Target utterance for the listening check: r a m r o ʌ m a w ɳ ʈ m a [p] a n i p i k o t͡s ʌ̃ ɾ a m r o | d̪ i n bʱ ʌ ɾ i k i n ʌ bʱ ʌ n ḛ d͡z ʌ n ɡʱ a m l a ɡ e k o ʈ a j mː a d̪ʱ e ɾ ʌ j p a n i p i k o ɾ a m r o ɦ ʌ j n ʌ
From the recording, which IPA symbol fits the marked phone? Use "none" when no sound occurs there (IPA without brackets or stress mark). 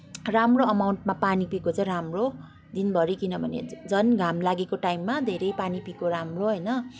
p